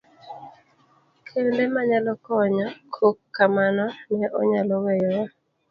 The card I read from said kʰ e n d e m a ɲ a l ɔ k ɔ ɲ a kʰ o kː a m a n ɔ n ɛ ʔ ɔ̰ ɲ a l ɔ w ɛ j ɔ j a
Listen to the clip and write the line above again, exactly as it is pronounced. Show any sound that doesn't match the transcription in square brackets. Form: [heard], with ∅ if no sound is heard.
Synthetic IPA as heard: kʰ e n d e m a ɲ a l ɔ k ɔ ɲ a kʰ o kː a m a n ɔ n ɛ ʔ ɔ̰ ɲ a l ɔ w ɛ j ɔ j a